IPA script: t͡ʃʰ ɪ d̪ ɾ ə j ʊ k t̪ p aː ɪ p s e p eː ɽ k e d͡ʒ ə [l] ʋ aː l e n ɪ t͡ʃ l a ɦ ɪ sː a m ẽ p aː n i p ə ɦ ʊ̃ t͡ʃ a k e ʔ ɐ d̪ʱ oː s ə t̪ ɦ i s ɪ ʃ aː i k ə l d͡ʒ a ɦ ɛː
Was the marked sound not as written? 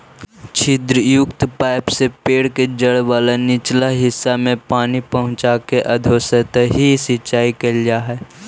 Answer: yes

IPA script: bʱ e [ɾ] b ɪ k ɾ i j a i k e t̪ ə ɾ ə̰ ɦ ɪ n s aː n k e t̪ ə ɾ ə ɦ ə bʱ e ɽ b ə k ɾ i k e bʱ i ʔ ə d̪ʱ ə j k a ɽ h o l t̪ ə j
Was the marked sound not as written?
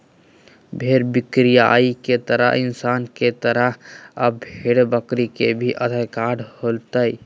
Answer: no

